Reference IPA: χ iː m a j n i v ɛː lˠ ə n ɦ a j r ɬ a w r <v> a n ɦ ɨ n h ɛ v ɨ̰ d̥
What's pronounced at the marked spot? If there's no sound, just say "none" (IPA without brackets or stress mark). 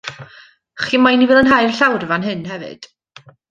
v